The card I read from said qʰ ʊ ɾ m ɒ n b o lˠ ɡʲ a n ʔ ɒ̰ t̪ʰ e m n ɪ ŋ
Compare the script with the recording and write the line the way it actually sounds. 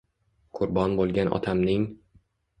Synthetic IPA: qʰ ʊ ɾ b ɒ n b o lˠ ɡʲ a n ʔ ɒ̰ t̪ʰ a m n ɪ ŋ